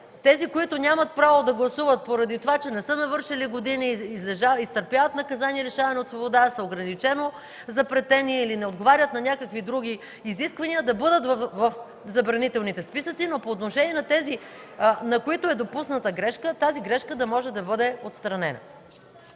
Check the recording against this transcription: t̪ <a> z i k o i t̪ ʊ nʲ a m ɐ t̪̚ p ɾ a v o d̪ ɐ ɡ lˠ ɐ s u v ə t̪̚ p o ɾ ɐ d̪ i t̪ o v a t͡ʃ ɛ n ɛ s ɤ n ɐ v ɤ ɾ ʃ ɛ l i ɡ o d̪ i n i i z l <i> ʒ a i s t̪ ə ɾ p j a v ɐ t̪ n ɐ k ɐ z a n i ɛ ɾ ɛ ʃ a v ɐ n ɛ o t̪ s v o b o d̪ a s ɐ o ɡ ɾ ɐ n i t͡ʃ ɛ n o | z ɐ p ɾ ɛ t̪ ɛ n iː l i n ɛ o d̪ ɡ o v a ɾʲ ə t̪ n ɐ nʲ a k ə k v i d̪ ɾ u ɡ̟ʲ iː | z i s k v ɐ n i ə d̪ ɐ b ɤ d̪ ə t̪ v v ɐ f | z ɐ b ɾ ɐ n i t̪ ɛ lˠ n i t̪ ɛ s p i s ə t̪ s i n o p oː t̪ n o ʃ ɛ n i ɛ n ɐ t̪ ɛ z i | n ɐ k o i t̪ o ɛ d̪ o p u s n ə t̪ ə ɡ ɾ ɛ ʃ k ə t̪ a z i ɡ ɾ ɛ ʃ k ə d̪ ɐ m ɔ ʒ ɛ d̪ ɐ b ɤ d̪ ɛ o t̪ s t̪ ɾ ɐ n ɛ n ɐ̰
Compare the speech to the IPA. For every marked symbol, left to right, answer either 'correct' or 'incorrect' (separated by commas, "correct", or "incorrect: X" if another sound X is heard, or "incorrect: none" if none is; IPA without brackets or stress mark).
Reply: incorrect: ɛ, incorrect: ɛ